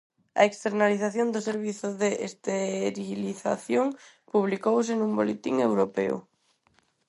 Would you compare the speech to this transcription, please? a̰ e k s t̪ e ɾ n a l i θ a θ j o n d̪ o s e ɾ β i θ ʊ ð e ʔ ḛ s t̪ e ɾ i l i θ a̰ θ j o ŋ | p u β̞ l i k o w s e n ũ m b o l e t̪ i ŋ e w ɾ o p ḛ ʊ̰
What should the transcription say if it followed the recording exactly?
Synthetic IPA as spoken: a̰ e k s t̪ e ɾ n a l i θ a θ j o n d̪ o s e ɾ β i θ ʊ ð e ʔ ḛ s t̪ e ɾ i l i θ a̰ θ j o ŋ | p u β̞ l i k o w s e n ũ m b o l e t̪ i ŋ e w ɾ o p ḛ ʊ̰